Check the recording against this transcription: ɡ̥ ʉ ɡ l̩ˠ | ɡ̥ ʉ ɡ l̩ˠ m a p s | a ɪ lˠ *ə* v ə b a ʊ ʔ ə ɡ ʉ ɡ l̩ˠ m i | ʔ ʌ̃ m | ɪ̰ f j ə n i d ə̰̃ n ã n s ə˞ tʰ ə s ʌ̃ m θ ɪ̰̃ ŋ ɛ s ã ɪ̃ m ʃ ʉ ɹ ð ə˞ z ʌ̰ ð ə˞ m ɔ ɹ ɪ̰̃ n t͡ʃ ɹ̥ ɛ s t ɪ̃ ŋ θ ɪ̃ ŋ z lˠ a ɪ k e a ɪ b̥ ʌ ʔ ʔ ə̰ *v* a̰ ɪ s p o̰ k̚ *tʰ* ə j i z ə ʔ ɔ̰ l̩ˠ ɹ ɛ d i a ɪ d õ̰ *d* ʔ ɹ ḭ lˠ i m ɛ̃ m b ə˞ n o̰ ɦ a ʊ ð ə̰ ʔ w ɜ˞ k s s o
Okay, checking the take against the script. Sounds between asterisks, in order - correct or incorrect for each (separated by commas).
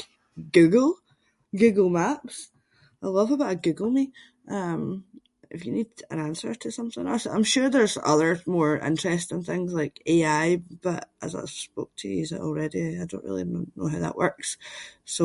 incorrect, incorrect, correct, incorrect